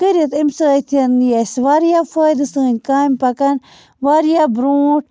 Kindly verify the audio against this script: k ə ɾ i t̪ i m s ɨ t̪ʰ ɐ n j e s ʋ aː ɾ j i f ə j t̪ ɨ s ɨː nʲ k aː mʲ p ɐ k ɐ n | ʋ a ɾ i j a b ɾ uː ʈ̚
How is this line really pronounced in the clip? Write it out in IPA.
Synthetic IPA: k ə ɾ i t̪ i m s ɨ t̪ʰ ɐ n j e s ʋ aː ɾ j a f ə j d̪ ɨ s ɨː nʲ k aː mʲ p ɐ k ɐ n | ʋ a ɾ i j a b ɾ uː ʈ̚